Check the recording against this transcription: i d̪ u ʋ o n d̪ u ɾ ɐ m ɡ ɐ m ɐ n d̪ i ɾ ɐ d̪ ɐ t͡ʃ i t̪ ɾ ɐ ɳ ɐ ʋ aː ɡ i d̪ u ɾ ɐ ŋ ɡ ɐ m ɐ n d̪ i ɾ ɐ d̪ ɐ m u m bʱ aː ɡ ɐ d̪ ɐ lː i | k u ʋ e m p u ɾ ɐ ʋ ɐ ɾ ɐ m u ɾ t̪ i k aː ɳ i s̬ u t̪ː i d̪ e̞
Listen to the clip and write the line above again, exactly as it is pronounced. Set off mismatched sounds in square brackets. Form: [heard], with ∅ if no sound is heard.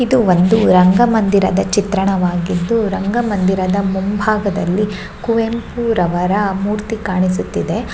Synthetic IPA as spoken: i d̪ u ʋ o n d̪ u ɾ ɐ [ŋ] ɡ ɐ m ɐ n d̪ i ɾ ɐ d̪ ɐ t͡ʃ i t̪ ɾ ɐ ɳ ɐ ʋ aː ɡ i [d̪ː] u ɾ ɐ ŋ ɡ ɐ m ɐ n d̪ i ɾ ɐ d̪ ɐ m u m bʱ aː ɡ ɐ d̪ ɐ lː i | k u ʋ e m p u ɾ ɐ ʋ ɐ ɾ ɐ m [uː] ɾ t̪ i k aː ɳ i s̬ u t̪ː i d̪ e̞